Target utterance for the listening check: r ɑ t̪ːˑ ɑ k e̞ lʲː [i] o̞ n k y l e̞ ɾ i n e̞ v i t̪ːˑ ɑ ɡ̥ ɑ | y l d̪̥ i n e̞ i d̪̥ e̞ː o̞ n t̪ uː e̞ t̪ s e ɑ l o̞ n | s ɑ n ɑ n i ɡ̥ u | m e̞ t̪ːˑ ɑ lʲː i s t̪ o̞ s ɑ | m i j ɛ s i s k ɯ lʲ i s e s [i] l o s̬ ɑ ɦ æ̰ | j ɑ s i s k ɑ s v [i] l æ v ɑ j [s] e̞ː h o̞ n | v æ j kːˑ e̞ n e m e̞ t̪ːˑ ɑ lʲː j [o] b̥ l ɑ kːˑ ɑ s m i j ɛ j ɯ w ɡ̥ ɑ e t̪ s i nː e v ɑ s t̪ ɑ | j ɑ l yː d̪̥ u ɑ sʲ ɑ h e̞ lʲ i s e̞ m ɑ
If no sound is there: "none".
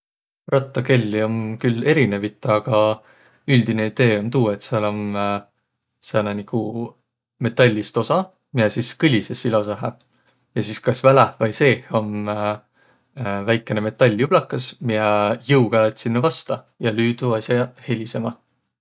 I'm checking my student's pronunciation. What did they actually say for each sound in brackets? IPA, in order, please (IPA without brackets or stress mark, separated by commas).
i, i, æ, s, u